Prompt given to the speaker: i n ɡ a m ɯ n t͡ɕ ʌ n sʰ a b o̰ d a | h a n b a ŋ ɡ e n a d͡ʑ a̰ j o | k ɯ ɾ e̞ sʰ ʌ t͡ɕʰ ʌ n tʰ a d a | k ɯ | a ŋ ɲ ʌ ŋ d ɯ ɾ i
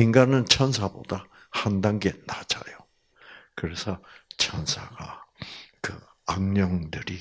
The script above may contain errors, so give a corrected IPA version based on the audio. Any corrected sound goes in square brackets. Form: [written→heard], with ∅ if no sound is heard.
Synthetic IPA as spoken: i [n→ŋ] ɡ a [m→n] ɯ n [t͡ɕ→t͡ɕʰ] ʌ n sʰ a b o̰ d a | h a n [b→d] a ŋ ɡ e n a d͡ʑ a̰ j o | k ɯ ɾ e̞ sʰ ʌ t͡ɕʰ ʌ n [tʰ→sʰ] a [d→ɡ] a | k ɯ | a ŋ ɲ ʌ ŋ d ɯ ɾ i